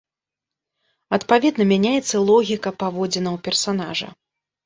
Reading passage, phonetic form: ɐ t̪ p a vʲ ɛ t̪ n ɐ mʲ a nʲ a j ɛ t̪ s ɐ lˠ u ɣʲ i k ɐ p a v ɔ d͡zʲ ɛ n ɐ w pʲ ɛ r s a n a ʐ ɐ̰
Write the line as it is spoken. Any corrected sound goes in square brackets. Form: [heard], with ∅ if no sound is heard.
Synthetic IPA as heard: ɐ t̪ p a vʲ ɛ [d̪] n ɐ mʲ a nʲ a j ɛ t̪ [sː] ɐ lˠ [ɔ] ɣʲ i k ɐ p a v ɔ d͡zʲ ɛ n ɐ w pʲ ɛ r s a n a ʐ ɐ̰